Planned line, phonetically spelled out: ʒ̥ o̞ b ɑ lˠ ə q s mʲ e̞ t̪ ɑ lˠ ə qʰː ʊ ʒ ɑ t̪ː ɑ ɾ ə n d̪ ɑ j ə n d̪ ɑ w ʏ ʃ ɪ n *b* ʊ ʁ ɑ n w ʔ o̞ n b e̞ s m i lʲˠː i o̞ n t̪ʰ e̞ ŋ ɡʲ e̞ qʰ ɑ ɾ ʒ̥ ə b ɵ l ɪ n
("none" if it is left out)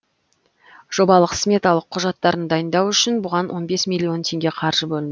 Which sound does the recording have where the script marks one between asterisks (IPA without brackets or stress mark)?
b